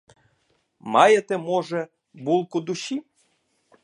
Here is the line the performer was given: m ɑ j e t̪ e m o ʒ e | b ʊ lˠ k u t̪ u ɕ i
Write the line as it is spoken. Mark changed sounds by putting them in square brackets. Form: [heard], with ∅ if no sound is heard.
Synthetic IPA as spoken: m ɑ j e t̪ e m o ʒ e | b [u] lˠ k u [d̪] u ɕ i